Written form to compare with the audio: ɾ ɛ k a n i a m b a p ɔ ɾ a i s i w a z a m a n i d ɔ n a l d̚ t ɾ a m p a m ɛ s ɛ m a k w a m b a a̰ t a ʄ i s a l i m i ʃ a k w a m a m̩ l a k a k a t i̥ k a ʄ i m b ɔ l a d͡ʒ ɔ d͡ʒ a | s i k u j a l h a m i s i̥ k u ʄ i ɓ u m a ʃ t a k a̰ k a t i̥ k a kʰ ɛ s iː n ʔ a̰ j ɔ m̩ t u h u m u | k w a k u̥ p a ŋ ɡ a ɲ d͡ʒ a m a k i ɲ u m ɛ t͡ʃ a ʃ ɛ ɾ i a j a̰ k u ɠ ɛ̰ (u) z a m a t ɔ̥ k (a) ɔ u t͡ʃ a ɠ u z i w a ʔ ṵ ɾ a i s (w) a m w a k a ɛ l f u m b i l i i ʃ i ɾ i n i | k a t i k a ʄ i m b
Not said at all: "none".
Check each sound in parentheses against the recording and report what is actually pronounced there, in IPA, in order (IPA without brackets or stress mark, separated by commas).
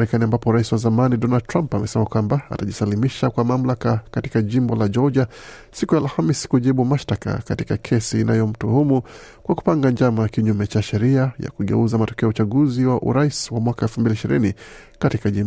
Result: u, ɛ, w